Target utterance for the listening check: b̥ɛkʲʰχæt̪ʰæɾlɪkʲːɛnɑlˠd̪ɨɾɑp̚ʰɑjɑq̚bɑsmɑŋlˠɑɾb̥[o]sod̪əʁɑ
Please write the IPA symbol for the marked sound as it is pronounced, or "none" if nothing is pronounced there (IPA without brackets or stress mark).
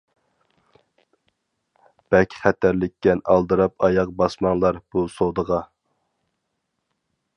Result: u